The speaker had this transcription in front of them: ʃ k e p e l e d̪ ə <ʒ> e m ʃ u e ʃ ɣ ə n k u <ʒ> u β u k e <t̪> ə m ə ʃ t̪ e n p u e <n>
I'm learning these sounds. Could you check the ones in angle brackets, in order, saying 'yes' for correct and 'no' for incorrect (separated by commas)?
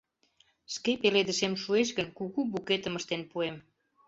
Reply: no, no, yes, no